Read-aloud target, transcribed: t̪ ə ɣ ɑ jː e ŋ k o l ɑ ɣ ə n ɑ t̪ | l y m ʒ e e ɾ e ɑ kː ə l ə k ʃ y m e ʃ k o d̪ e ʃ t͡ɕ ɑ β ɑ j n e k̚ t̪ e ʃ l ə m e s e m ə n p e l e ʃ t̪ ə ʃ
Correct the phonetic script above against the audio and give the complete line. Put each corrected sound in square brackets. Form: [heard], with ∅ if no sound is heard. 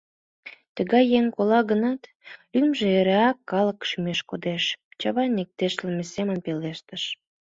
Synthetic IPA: t̪ ə ɣ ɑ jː e ŋ k o l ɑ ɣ ə n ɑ t̪ | l y m ʒ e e ɾ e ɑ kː [ɑ] l ə k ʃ y m e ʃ k o d̪ e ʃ t͡ɕ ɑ β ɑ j n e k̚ t̪ e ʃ l ə m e s e m ə n p e l e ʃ t̪ ə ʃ